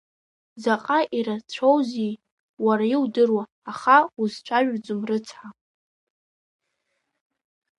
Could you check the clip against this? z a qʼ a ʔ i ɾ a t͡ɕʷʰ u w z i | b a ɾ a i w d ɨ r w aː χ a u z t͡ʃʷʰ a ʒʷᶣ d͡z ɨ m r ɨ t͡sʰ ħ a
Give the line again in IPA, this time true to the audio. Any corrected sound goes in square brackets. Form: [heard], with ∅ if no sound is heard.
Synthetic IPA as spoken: z a qʼ a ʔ i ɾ a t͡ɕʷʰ [o] w z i | [w] a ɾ a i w d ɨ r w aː χ a u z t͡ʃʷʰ a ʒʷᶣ d͡z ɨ m r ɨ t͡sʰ ħ a

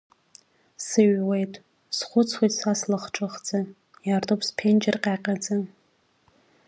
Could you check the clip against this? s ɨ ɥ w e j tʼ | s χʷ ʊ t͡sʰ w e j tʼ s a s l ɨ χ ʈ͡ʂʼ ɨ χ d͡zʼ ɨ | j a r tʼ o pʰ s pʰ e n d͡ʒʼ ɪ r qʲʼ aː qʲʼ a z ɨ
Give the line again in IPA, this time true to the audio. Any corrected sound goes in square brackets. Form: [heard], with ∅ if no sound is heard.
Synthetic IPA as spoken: s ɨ ɥ w e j tʼ | s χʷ ʊ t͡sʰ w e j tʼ s a s l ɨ χ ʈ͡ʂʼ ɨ χ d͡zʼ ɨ | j a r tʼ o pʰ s pʰ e n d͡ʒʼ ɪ r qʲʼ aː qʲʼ a [d͡z] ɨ

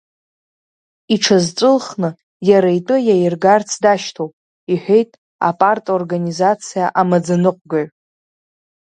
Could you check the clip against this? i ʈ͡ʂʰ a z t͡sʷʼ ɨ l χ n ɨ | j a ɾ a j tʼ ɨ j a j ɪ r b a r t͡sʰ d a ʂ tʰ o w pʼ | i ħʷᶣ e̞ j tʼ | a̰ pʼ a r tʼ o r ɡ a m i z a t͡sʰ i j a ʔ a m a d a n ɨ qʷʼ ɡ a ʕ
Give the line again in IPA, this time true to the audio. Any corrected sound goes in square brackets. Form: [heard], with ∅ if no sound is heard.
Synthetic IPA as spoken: i ʈ͡ʂʰ a z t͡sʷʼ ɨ l χ n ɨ | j a ɾ a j tʼ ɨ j a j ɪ r [ɡ] a r t͡sʰ d a [ʃ] tʰ o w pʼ | i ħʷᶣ e̞ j tʼ | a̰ pʼ a r tʼ o r ɡ a [n] i z a t͡sʰ i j a ʔ a m a [d͡z] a n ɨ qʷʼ ɡ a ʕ

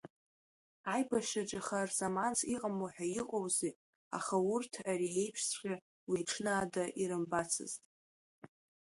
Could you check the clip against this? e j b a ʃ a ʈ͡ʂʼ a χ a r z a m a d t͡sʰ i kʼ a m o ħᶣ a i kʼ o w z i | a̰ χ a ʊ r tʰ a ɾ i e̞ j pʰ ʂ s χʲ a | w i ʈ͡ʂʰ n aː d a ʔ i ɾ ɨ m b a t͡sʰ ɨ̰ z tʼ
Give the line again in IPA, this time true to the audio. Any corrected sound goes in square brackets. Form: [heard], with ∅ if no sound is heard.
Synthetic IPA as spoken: [a] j b a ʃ a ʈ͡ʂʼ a χ a r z a m a [n] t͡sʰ i [qʼ] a m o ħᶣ a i [qʼ] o w z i | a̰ χ a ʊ r tʰ a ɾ i e̞ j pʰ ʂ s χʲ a | w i ʈ͡ʂʰ n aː d a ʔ i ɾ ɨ m b a t͡sʰ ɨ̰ z tʼ

